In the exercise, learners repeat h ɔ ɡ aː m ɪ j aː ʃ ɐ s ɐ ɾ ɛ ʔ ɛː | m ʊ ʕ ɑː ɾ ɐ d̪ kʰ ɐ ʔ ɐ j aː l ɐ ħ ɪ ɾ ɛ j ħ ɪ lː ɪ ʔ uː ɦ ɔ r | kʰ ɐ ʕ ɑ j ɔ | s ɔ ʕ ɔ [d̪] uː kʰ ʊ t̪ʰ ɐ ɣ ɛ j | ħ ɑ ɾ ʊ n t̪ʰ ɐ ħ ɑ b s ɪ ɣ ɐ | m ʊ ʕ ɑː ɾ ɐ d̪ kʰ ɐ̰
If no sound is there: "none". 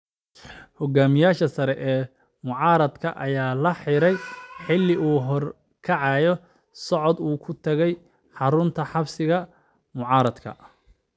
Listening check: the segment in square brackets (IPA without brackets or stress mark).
d̪